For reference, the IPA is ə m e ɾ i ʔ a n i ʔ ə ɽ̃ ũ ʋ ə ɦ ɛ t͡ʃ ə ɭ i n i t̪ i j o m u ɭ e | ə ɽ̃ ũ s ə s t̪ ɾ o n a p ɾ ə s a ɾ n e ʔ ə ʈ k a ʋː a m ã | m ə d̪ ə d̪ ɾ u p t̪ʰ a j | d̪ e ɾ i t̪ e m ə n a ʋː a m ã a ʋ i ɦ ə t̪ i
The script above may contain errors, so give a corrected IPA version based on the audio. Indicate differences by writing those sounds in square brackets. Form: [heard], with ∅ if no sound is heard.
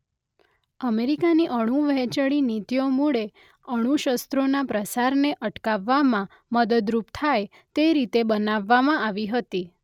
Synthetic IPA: ə m e ɾ i [k] a n i ʔ ə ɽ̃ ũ ʋ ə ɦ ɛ t͡ʃ ə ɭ i n i t̪ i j o m u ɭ e | ə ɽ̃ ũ [ʃ] ə s t̪ ɾ o n a p ɾ ə s a ɾ n e ʔ ə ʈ k a ʋː a m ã | m ə d̪ ə d̪ ɾ u p t̪ʰ a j | [t̪] e ɾ i t̪ e [b] ə n a ʋː a m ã a ʋ i ɦ ə t̪ i